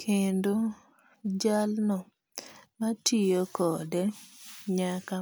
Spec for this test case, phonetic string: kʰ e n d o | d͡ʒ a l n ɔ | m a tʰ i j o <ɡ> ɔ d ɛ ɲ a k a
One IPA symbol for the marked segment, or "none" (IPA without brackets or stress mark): k